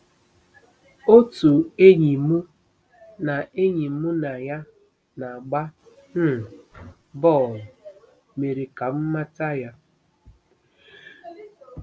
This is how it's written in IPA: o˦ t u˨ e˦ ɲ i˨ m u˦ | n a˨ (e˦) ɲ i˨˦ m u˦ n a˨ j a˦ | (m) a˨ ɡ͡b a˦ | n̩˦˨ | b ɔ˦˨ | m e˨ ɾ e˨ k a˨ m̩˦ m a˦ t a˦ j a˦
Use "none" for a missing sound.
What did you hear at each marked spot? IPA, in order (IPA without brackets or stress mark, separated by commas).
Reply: e˦, n